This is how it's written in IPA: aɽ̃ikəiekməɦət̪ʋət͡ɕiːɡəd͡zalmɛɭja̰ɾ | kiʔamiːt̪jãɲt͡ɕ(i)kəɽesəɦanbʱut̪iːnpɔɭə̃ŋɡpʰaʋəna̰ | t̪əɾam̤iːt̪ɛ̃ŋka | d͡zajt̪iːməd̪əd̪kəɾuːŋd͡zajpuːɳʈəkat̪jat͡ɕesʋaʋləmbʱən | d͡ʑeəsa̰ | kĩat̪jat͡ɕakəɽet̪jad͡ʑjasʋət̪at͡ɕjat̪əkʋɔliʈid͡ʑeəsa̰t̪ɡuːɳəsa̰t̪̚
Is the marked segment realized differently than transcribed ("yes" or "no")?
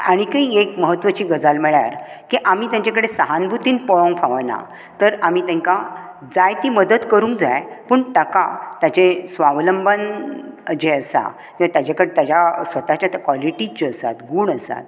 yes